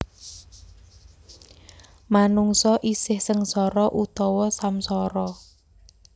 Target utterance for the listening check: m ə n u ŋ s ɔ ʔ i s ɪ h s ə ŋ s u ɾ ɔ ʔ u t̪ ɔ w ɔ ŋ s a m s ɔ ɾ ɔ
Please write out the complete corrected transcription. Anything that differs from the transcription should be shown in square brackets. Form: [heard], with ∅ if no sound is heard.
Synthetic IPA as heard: m [a] n u ŋ s ɔ ʔ i s ɪ h s ə ŋ s [ɔ] ɾ ɔ ʔ u t̪ ɔ w ɔ [∅] s a m s ɔ ɾ ɔ

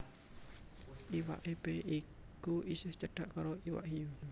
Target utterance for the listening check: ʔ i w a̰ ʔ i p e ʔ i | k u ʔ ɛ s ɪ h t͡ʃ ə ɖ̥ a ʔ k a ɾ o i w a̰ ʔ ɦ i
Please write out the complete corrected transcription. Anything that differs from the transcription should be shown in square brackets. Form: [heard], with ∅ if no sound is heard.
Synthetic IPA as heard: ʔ i w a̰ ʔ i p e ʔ i | k u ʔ [i] s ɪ h t͡ʃ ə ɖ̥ a ʔ k a ɾ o i w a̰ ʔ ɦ i

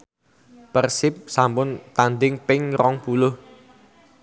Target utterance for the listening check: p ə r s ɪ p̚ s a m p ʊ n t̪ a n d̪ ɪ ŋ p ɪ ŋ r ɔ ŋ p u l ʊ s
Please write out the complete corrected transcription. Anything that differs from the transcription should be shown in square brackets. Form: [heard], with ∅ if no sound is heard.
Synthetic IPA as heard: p ə r s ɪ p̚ s a m p ʊ n t̪ a n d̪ ɪ ŋ p ɪ ŋ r ɔ ŋ p u l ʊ [h]

